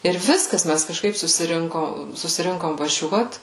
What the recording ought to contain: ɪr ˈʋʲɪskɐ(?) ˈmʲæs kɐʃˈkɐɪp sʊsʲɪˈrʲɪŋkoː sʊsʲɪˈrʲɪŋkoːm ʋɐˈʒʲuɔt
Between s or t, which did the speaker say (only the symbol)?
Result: s